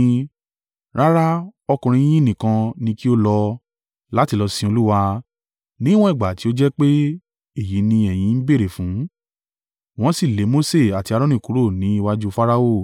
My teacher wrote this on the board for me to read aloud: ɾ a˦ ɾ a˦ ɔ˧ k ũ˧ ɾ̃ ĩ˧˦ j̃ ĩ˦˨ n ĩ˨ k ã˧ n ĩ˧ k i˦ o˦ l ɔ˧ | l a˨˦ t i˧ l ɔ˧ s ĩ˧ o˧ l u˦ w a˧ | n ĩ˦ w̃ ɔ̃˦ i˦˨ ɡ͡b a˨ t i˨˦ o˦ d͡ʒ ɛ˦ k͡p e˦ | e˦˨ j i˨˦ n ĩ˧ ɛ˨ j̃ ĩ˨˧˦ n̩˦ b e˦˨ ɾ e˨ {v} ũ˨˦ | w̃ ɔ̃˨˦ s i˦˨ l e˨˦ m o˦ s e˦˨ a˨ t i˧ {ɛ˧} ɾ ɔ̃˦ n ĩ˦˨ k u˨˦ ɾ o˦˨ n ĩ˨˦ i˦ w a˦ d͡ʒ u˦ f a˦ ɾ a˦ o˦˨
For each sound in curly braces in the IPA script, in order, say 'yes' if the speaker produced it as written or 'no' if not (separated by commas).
no, no